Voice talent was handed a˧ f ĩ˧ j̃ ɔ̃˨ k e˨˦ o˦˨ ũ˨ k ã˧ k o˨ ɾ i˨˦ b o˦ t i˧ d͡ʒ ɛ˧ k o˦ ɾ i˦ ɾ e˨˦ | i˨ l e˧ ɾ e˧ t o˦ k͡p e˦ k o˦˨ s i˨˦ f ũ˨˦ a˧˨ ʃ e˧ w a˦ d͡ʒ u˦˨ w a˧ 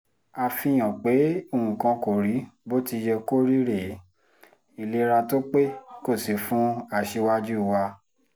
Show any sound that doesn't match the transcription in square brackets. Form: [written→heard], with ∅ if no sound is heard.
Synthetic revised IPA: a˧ f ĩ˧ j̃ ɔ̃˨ [k→k͡p] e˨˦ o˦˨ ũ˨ k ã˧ k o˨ ɾ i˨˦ b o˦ t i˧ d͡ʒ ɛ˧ k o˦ ɾ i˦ ɾ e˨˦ | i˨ l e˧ ɾ [e˧→a˧] t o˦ k͡p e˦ k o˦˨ s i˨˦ f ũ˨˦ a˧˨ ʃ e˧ w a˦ d͡ʒ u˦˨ w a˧